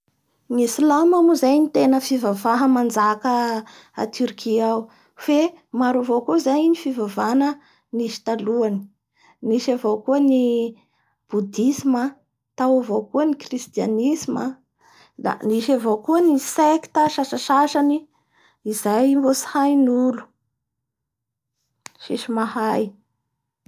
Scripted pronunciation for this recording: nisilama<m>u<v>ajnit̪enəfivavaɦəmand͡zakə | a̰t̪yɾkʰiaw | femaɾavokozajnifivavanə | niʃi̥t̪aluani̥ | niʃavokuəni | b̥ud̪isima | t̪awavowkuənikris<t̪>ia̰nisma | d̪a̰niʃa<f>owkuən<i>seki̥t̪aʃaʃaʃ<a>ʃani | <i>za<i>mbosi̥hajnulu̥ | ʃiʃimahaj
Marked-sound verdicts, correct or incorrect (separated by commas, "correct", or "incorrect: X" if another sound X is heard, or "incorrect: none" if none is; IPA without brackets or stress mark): correct, incorrect: z, correct, incorrect: v, correct, correct, correct, incorrect: j